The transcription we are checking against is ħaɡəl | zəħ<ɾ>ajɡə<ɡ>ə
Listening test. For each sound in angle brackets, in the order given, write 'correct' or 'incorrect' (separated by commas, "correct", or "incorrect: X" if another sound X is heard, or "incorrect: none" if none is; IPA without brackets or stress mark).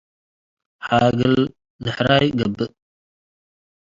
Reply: correct, incorrect: b